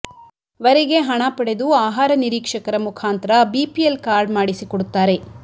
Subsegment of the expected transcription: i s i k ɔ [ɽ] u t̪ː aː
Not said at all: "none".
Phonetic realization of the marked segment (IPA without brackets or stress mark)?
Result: ɽ